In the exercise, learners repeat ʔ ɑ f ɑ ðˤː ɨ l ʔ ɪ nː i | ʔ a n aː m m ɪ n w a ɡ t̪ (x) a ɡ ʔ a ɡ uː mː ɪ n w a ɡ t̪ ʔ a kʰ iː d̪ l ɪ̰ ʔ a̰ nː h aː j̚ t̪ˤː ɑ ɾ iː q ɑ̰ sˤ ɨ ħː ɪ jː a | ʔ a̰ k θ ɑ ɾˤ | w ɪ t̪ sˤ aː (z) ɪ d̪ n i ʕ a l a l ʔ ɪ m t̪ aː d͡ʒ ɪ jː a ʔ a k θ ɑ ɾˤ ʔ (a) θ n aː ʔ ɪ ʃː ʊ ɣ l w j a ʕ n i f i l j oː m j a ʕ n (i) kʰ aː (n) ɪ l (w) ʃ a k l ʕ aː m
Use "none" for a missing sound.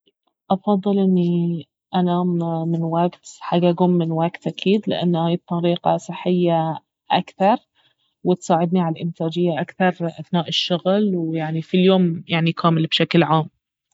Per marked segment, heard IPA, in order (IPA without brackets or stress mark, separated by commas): ħ, ʕ, a, i, m, b